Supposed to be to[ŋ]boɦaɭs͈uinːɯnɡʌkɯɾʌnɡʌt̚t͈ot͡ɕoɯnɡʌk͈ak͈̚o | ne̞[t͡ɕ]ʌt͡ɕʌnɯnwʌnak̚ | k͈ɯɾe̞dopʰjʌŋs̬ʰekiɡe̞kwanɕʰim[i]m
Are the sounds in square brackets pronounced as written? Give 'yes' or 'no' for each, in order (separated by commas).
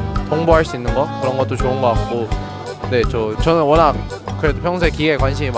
yes, yes, yes